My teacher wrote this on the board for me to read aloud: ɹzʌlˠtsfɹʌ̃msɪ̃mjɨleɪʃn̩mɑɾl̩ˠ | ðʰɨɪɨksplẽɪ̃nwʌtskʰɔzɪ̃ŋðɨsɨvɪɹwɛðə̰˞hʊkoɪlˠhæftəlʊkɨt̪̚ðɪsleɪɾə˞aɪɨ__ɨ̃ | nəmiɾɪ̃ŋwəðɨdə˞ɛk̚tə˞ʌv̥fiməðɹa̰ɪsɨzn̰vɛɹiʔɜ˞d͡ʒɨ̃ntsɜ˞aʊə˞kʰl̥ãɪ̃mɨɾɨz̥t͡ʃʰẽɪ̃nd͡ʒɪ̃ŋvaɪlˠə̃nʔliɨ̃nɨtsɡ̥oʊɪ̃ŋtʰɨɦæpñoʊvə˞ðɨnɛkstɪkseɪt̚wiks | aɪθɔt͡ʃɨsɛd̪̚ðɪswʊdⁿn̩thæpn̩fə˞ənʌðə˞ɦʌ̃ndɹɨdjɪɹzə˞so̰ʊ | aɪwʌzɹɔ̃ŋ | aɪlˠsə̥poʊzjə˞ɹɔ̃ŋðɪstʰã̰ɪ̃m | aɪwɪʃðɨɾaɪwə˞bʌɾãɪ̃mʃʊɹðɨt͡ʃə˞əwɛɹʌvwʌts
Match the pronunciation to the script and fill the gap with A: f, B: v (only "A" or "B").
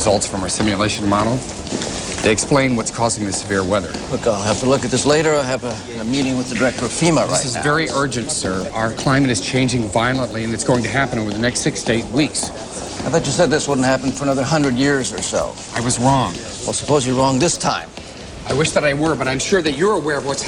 B